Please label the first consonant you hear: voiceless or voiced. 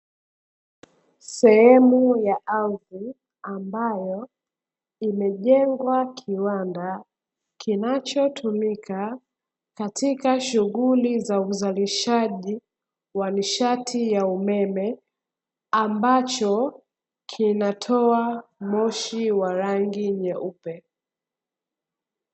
voiceless